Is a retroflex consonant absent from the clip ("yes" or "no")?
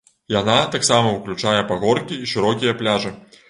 no